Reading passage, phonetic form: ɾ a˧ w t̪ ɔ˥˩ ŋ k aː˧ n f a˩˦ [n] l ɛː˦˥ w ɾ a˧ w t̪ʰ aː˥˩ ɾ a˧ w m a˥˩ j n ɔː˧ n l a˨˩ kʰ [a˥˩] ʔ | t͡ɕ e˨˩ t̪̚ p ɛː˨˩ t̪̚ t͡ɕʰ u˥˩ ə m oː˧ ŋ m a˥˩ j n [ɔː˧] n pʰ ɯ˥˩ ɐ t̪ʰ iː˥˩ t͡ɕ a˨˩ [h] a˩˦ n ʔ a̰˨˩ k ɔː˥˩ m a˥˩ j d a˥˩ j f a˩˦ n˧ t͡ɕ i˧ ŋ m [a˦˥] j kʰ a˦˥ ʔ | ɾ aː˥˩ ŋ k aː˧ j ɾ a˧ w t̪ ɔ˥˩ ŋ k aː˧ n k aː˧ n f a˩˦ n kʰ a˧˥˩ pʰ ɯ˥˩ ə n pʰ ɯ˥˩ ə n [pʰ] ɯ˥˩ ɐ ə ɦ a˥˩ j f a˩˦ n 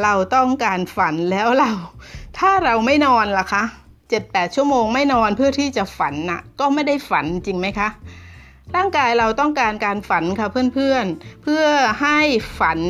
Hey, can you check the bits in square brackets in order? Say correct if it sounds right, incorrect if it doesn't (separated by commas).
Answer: correct, incorrect, correct, incorrect, correct, correct